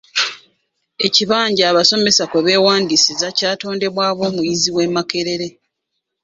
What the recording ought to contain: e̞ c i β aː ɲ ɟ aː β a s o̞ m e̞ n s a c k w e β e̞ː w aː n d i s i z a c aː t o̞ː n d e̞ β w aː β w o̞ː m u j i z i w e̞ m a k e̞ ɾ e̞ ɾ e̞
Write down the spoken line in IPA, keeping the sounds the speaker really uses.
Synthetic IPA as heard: e̞ c i β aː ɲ ɟ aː β a s o̞ m e̞ s a k w e β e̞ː w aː n d i s i z a c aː t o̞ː n d e̞ β w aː β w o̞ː m u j i z i w e̞ m a k e̞ ɾ e̞ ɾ e̞